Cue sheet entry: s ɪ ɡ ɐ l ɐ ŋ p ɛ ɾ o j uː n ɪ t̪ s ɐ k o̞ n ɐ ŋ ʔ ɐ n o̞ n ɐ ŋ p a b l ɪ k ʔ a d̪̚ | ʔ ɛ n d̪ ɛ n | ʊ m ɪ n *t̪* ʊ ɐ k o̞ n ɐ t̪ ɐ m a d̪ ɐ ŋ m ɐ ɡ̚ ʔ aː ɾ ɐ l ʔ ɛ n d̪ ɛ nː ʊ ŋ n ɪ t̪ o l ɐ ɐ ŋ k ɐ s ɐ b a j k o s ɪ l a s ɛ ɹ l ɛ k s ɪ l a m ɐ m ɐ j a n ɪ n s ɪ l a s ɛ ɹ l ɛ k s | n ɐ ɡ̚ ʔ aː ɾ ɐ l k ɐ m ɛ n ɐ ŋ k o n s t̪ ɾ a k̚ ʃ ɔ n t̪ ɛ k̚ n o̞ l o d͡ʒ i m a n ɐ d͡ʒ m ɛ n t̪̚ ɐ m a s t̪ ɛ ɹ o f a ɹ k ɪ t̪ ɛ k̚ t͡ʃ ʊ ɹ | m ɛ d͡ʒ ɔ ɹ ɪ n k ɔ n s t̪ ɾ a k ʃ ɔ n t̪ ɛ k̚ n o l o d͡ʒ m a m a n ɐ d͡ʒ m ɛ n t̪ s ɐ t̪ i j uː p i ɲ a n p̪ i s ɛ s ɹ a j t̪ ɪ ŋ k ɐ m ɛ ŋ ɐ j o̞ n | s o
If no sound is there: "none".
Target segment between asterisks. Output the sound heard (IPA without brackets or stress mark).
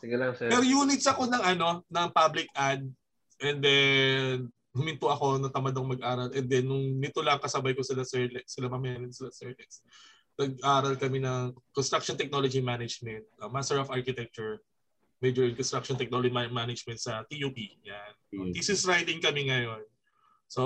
t̪